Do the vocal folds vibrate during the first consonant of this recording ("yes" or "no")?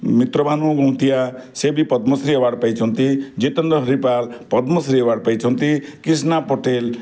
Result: yes